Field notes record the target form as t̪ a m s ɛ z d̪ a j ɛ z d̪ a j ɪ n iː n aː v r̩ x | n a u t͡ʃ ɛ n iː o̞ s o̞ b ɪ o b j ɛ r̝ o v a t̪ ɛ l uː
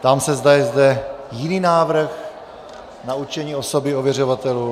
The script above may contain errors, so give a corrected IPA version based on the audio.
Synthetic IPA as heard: t̪ a m s ɛ z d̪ a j ɛ z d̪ ɛ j ɪ n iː n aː v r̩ x | n a u t͡ʃ ɛ ɲ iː o̞ s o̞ b ɪ o v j ɛ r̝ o v a t̪ ɛ l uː